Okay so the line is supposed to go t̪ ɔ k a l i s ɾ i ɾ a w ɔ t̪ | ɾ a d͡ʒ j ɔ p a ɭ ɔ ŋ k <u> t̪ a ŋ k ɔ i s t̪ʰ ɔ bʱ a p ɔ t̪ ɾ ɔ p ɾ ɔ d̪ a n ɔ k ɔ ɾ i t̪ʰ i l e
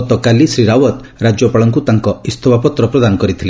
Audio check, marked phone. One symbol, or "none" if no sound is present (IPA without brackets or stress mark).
u